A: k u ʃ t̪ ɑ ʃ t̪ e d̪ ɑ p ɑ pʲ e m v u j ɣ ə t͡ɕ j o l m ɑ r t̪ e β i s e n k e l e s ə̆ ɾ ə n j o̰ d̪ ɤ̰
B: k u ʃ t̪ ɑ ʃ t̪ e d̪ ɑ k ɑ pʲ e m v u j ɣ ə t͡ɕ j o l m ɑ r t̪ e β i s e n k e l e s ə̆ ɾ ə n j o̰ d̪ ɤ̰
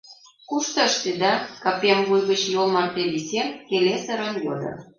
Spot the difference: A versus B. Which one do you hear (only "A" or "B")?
B